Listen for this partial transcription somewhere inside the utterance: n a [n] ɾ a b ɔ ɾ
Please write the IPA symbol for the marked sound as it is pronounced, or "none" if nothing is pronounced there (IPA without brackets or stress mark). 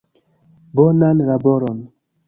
n